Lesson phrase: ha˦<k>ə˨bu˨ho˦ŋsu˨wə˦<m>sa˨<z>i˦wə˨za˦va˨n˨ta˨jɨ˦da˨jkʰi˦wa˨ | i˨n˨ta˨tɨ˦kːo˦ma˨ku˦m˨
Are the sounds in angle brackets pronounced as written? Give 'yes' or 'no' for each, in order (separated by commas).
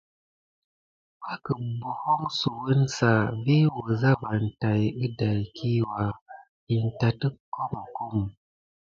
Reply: yes, no, no